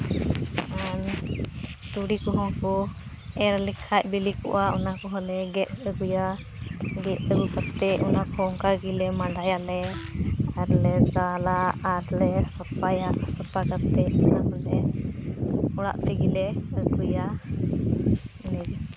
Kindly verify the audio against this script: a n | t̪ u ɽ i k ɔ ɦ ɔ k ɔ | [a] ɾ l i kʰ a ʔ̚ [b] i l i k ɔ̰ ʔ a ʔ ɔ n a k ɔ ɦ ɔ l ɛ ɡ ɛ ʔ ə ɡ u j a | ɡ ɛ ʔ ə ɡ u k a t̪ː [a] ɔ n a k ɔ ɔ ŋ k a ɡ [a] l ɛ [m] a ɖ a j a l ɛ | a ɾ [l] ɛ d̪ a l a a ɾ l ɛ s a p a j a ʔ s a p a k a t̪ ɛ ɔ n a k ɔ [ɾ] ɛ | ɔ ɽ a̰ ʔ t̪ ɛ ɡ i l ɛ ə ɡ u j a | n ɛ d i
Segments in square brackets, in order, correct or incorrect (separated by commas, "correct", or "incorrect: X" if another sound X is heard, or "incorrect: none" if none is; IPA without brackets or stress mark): incorrect: ɛ, correct, incorrect: ɛ, incorrect: i, correct, correct, incorrect: l